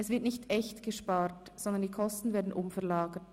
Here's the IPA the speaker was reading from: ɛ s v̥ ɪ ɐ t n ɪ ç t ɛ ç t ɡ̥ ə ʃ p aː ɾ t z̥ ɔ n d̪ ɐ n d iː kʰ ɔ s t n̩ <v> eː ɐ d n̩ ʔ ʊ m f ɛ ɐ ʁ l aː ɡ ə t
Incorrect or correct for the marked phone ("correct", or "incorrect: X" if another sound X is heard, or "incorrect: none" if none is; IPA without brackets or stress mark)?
correct